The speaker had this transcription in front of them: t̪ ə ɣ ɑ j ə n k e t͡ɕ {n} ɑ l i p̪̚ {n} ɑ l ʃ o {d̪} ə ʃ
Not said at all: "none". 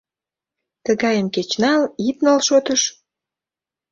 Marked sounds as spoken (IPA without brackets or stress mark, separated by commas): n, n, t̪